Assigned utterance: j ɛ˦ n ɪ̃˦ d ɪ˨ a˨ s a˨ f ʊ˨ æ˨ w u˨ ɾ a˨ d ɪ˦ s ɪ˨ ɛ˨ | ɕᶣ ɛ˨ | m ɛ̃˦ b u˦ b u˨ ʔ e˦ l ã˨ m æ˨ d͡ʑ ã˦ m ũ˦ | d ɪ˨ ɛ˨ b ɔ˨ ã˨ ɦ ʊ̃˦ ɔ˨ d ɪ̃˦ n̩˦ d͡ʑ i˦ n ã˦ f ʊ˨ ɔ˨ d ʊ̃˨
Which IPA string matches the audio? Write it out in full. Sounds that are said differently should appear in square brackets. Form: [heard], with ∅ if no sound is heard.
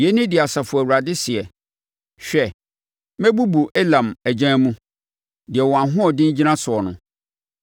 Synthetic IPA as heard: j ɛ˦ n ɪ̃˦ d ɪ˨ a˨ s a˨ f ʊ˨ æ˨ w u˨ ɾ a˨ d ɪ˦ s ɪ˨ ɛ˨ | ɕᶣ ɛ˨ | m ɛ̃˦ b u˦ b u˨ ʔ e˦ l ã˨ m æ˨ d͡ʑ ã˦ m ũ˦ | d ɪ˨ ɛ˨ [w] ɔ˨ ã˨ ɦ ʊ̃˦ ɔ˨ d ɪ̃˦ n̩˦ d͡ʑ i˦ n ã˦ [s] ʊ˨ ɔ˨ [n] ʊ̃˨